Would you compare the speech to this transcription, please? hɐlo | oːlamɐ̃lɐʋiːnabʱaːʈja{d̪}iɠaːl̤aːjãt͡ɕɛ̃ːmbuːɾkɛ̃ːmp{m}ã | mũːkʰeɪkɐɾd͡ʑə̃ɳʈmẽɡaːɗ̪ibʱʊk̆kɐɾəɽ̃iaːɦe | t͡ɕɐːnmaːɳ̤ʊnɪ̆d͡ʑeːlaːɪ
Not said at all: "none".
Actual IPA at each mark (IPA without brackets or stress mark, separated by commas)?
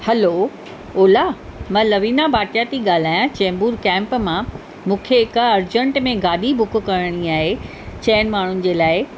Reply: t̪, m